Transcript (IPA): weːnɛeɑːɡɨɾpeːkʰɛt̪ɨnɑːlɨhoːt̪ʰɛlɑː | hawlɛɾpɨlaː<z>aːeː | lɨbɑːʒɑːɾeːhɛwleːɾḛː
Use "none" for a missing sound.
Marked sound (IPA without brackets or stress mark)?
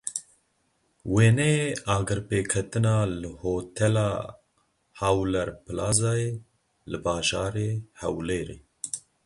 z